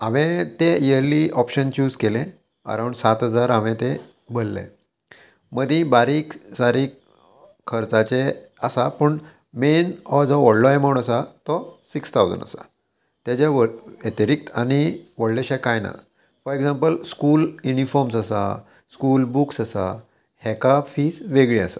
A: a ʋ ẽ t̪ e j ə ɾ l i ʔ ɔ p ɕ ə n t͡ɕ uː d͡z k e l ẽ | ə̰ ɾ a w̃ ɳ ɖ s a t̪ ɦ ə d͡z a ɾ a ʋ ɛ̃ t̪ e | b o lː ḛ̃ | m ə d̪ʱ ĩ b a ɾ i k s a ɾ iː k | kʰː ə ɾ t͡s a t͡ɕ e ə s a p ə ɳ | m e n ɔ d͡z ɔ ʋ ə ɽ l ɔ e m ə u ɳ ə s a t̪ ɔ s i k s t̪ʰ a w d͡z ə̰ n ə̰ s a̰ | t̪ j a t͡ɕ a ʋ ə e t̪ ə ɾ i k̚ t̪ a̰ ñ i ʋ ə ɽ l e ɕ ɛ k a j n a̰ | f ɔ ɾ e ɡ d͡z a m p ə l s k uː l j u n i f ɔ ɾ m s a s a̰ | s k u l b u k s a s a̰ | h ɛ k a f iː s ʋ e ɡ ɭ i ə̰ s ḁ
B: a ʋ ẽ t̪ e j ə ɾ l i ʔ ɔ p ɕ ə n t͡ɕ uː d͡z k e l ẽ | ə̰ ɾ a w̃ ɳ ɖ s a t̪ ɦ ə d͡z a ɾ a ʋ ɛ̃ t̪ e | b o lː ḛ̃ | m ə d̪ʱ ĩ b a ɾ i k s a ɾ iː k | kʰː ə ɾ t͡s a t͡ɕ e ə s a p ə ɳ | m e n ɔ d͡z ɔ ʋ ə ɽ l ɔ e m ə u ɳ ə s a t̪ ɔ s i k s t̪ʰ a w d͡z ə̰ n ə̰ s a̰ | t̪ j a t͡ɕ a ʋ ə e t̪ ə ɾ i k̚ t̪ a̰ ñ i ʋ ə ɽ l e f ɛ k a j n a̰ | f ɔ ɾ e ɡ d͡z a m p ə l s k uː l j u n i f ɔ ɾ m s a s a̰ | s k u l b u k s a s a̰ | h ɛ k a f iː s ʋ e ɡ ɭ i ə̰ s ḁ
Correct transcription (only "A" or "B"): A